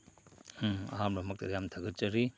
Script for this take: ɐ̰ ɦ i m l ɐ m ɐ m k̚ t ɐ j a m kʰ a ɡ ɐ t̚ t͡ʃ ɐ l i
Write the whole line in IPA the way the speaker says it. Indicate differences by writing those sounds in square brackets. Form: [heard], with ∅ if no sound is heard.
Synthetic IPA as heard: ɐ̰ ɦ [a] m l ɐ m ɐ [∅] k̚ t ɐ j a m [tʰ] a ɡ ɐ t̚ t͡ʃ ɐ [ɾ] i